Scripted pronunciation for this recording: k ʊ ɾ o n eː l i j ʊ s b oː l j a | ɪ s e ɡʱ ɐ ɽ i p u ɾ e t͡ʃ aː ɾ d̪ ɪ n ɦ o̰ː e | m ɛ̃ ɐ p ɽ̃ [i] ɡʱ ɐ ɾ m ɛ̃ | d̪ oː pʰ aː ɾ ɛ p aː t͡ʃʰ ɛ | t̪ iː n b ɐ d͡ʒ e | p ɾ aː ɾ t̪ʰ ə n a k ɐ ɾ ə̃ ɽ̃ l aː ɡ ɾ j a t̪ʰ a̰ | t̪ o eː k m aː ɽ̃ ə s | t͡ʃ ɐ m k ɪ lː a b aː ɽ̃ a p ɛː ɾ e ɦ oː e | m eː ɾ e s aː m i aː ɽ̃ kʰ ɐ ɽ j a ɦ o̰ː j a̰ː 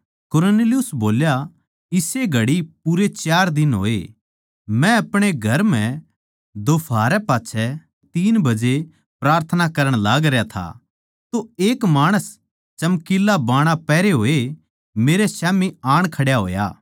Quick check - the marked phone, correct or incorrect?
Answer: incorrect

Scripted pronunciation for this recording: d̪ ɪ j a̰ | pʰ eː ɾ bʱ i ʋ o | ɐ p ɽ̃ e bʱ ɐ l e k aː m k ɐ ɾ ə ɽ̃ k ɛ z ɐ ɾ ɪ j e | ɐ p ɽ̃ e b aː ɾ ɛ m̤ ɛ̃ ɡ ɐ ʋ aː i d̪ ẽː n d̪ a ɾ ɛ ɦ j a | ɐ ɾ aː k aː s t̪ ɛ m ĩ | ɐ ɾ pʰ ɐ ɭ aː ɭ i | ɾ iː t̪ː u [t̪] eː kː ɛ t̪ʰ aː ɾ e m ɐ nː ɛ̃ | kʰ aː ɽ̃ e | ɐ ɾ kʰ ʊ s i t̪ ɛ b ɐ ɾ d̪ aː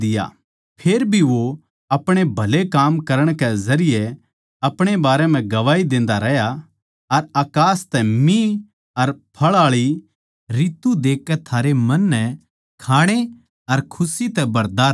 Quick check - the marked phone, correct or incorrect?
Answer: incorrect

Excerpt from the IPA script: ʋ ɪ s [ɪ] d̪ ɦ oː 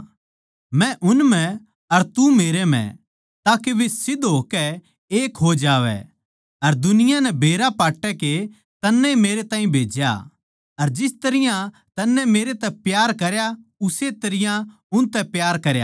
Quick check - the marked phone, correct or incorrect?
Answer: correct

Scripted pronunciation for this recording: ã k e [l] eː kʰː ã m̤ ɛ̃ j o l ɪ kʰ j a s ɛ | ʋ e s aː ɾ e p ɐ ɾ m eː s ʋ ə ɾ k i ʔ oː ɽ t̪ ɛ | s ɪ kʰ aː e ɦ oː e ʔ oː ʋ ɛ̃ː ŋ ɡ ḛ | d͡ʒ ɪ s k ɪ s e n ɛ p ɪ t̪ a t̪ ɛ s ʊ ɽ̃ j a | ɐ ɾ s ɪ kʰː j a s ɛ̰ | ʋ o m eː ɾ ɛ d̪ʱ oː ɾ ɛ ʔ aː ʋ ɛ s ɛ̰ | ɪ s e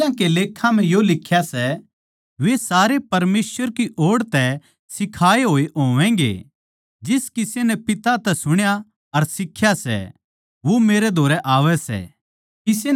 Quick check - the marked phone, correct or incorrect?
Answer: correct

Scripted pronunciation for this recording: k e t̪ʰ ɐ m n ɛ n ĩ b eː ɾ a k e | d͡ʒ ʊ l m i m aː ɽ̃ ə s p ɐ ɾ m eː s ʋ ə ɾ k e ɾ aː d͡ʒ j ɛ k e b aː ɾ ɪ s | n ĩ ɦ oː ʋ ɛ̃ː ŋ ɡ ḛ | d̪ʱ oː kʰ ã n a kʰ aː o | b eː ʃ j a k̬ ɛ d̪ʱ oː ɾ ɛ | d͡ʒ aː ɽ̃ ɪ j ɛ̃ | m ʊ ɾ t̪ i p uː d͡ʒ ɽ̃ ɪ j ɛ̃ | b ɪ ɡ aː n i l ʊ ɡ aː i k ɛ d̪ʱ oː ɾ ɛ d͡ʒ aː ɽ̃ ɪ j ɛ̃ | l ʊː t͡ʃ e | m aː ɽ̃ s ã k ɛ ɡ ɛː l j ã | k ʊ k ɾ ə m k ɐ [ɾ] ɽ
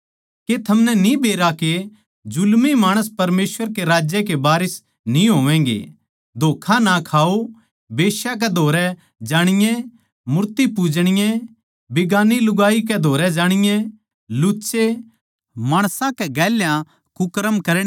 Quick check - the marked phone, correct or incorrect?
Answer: correct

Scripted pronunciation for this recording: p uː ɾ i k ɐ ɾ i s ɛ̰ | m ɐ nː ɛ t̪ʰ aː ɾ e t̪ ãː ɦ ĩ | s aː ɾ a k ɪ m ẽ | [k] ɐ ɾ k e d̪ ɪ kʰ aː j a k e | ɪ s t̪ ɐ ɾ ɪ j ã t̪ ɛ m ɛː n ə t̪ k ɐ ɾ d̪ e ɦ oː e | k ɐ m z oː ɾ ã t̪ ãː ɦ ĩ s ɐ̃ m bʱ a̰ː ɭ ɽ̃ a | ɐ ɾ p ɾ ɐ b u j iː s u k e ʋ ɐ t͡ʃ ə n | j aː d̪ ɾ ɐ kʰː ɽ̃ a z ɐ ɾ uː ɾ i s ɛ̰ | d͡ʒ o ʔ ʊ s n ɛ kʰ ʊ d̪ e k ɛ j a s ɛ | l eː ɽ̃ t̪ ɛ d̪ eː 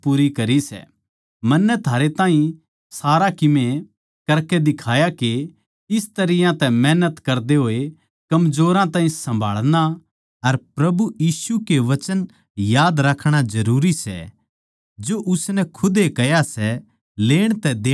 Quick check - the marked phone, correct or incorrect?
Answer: correct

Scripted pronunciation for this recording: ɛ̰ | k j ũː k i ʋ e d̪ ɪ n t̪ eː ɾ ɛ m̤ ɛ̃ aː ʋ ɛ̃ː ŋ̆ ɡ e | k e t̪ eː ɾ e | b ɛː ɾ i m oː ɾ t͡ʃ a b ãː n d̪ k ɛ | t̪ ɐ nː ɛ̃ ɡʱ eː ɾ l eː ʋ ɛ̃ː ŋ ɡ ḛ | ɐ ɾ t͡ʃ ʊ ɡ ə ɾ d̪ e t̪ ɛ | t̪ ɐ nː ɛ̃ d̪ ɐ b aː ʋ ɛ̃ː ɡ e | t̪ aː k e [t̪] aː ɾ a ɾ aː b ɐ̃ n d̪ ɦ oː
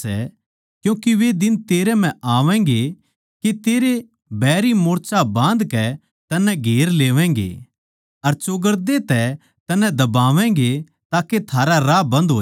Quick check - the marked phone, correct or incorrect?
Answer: incorrect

